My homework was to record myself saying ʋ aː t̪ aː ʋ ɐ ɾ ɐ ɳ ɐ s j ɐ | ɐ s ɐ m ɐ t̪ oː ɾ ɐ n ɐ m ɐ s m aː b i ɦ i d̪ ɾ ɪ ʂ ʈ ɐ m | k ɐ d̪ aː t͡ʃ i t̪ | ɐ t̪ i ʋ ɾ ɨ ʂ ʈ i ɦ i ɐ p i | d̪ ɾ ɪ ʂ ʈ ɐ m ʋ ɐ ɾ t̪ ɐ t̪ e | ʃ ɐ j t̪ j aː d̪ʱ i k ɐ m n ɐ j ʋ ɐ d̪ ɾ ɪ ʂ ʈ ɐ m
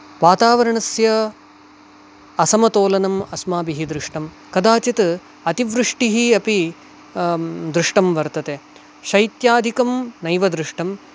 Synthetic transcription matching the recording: ʋ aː t̪ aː ʋ ɐ ɾ ɐ ɳ ɐ s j ɐ | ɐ s ɐ m ɐ t̪ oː l ɐ n ɐ m ɐ s m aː b i ɦ i d̪ ɾ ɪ ʂ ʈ ɐ m | k ɐ d̪ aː t͡ʃ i t̪ | ɐ t̪ i ʋ ɾ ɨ ʂ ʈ i ɦ i ɐ p i | d̪ ɾ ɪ ʂ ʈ ɐ m ʋ ɐ ɾ t̪ ɐ t̪ e | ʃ ɐ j t̪ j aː d̪ʱ i k ɐ m n ɐ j ʋ ɐ d̪ ɾ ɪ ʂ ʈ ɐ m

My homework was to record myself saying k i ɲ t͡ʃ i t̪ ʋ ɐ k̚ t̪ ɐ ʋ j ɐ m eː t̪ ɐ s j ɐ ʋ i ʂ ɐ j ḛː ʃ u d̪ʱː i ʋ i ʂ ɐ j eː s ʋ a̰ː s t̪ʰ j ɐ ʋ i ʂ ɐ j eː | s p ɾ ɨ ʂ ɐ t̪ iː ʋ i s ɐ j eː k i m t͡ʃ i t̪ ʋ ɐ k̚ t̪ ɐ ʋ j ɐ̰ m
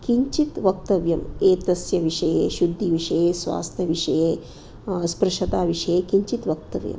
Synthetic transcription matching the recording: k i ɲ t͡ʃ i t̪ ʋ ɐ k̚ t̪ ɐ ʋ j ɐ m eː t̪ ɐ s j ɐ ʋ i ʂ ɐ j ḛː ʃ u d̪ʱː i ʋ i ʂ ɐ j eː s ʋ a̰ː s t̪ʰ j ɐ ʋ i ʂ ɐ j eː | s p ɾ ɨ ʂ ɐ t̪ aː ʋ i ʂ ɐ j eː k i ɲ t͡ʃ i t̪ ʋ ɐ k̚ t̪ ɐ ʋ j ɐ̰ m

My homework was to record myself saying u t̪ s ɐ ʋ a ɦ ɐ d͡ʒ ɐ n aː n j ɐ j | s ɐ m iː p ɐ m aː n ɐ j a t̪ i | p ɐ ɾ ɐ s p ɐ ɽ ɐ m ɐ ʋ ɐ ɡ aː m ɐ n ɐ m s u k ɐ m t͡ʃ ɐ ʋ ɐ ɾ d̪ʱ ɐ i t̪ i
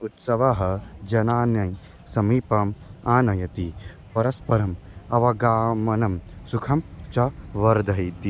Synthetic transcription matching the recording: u t̪ s ɐ ʋ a ɦ ɐ d͡ʒ ɐ n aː n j ɐ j | s ɐ m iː p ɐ m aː n ɐ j ɐ t̪ i | p ɐ ɾ ɐ s p ɐ ɾ ɐ m ɐ ʋ ɐ ɡ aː m ɐ n ɐ m s u kʰ ɐ m t͡ʃ ɐ ʋ ɐ ɾ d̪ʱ ɐ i t̪ i

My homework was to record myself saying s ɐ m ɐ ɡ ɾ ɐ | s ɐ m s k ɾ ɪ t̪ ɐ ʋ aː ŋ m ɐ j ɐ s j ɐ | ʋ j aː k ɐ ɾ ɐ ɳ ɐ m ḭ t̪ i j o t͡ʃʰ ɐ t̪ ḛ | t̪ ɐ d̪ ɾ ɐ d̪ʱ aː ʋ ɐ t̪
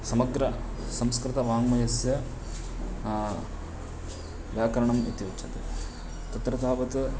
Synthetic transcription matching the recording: s ɐ m ɐ ɡ ɾ ɐ | s ɐ m s k ɾ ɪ t̪ ɐ ʋ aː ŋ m ɐ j ɐ s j ɐ | ʋ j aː k ɐ ɾ ɐ ɳ ɐ m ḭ t̪ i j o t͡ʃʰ ɐ t̪ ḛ | t̪ ɐ t̪ ɾ ɐ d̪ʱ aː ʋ ɐ t̪

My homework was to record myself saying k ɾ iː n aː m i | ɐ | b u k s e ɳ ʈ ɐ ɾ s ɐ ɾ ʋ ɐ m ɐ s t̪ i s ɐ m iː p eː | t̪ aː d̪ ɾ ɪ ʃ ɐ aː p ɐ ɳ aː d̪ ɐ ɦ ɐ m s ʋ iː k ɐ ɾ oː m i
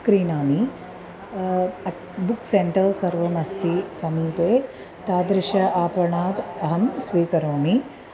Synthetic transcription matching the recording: k ɾ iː n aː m i | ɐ | b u k s e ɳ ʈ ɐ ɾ s ɐ ɾ ʋ ɐ m ɐ s t̪ i s ɐ m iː p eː | t̪ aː d̪ ɾ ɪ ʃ ɐ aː p ɐ ɳ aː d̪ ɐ ɦ ɐ m s ʋ iː k ɐ ɾ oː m i

